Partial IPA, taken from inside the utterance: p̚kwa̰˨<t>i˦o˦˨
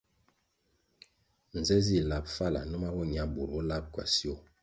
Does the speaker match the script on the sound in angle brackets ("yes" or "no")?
no